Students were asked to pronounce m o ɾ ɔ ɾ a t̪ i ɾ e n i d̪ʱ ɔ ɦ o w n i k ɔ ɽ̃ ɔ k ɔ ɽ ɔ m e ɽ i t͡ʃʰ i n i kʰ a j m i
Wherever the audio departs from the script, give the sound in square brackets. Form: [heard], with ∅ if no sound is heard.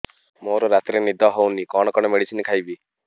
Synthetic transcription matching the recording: m o ɾ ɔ ɾ a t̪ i ɾ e n i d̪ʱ ɔ ɦ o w n i k ɔ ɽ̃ ɔ k ɔ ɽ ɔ m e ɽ i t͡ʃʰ i n i kʰ a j [b] i